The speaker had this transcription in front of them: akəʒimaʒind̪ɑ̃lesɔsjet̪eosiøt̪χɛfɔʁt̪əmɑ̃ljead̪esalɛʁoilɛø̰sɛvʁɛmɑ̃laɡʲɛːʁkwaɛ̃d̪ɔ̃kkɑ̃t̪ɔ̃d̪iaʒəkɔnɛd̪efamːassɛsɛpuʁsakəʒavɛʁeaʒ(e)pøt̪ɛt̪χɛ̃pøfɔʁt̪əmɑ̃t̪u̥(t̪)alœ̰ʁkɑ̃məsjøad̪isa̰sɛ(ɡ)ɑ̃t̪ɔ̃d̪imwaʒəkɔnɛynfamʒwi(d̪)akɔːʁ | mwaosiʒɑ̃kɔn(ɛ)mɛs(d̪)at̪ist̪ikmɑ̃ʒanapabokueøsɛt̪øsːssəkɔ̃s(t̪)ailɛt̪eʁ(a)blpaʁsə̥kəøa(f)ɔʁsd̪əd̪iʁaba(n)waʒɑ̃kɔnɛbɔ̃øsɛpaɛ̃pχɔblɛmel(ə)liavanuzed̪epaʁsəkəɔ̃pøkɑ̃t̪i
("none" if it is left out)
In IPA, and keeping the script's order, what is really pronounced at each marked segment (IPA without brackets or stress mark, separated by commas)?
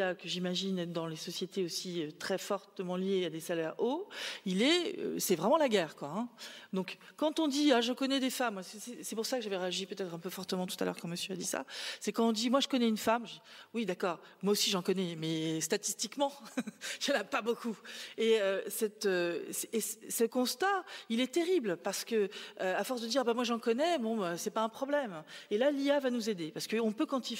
i, t̪, k, d̪, ɛ, t̪, t̪, i, f, m, a